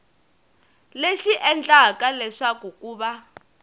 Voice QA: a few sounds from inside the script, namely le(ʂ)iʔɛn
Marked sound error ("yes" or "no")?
yes